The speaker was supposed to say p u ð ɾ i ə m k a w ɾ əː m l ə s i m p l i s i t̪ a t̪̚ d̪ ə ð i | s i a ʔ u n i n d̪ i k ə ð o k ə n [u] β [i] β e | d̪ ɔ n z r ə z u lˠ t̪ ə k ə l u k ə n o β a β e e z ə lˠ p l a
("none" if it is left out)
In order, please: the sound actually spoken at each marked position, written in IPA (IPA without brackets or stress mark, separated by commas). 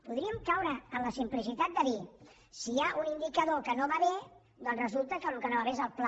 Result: o, a